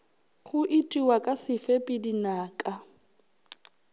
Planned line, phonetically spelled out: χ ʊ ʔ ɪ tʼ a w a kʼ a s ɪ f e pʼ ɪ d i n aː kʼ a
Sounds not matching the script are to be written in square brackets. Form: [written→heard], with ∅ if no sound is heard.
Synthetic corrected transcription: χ ʊ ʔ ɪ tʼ [a→i] w a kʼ a s ɪ f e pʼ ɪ d i n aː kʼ a